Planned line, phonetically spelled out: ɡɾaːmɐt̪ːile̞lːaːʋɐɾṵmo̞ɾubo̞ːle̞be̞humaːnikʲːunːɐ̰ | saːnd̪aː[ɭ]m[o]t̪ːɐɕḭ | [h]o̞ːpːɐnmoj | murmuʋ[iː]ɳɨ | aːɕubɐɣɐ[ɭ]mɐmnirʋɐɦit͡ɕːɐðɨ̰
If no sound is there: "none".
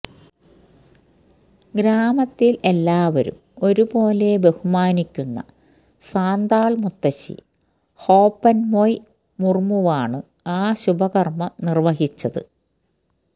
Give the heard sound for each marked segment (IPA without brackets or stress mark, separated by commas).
ɭ, u, h, aː, r